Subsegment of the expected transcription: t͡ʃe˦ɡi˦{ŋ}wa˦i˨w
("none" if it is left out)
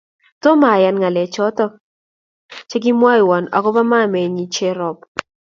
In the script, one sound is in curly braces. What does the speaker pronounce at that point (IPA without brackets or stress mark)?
m